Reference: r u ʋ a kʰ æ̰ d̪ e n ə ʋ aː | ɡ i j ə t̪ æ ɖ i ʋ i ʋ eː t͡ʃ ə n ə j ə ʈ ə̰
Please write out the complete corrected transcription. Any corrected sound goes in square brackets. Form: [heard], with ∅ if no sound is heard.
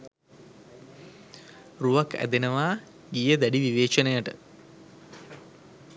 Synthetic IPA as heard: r u ʋ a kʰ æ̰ d̪ e n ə ʋ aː | ɡ i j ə [d̪] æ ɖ i ʋ i ʋ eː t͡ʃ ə n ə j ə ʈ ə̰

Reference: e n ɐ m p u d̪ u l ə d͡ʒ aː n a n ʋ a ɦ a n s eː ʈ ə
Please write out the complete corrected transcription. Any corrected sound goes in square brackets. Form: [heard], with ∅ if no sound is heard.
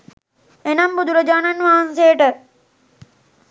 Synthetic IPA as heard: e n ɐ m [b] u d̪ u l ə d͡ʒ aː n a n ʋ a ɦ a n s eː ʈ ə

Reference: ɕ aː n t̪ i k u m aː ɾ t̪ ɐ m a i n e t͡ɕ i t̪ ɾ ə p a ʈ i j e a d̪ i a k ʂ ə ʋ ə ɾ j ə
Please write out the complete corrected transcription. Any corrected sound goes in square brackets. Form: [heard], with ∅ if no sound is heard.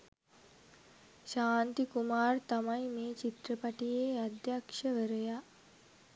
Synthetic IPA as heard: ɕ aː n t̪ i k u m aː ɾ t̪ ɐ m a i [m] e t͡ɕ i t̪ ɾ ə p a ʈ i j e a d̪ [j] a k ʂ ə ʋ ə ɾ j [a]

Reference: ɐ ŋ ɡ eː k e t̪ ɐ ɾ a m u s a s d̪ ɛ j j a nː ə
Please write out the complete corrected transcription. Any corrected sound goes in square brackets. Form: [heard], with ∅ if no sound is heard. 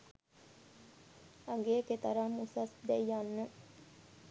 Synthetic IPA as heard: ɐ ŋ ɡ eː k e t̪ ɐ ɾ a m u s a s d̪ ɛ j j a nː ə

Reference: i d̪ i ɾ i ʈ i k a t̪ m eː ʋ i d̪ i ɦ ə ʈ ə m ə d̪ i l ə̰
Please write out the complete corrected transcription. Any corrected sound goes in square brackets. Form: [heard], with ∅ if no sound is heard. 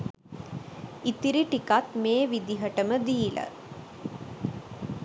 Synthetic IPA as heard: i [t̪] i ɾ i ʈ i k a t̪ m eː ʋ i d̪ i ɦ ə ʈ ə m ə d̪ [iː] l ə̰

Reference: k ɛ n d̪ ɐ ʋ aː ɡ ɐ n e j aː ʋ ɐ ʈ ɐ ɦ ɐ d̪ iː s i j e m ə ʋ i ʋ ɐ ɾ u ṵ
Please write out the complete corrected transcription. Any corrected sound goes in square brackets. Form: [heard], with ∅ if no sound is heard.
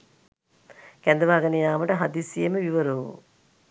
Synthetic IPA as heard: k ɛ n d̪ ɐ ʋ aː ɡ ɐ n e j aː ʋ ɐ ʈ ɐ ɦ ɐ d̪ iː s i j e m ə ʋ i ʋ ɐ ɾ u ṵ

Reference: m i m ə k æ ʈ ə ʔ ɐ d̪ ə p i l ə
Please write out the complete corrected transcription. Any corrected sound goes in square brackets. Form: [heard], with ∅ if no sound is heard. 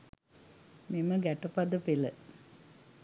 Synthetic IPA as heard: m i m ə [ɡ] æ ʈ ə [p] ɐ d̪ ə p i l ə

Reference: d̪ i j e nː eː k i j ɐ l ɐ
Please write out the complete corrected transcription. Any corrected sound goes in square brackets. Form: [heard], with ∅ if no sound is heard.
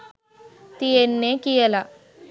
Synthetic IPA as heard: [t̪] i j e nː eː k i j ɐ l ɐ

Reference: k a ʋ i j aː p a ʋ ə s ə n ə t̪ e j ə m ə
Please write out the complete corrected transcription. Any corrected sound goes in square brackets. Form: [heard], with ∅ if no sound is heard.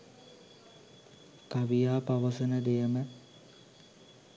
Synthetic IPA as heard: k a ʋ i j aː p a ʋ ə s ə n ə [d̪] e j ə m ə

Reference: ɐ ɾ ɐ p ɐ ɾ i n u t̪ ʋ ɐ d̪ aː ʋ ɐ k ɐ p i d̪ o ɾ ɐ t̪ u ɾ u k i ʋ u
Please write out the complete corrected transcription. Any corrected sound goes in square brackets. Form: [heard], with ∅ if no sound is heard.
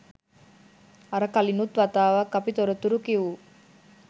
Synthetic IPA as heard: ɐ ɾ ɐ [k] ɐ [l] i n u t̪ ʋ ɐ [t̪] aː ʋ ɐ k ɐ p i [t̪] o ɾ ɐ t̪ u ɾ u k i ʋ u

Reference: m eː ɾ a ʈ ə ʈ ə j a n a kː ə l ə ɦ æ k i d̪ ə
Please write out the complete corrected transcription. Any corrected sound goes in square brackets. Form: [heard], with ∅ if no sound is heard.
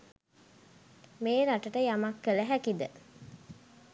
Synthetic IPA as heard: m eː ɾ a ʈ ə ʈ ə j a [m] a kː ə l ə ɦ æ k i d̪ ə

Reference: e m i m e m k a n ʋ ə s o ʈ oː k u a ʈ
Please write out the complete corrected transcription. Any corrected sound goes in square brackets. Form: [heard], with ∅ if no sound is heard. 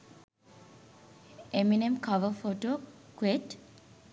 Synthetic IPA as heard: e m i [n] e m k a [∅] ʋ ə [f] o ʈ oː k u [e] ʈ

